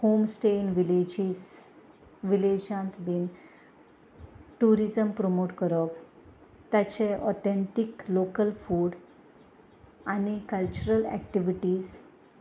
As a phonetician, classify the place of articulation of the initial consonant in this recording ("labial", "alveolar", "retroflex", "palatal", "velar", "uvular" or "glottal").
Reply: glottal